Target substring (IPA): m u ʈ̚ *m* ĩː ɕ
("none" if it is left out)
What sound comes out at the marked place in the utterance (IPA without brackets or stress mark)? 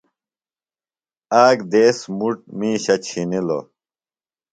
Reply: m